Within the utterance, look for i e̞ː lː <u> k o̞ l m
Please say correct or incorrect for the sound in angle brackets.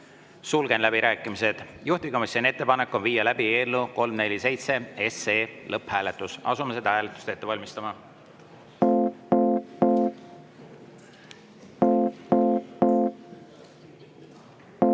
correct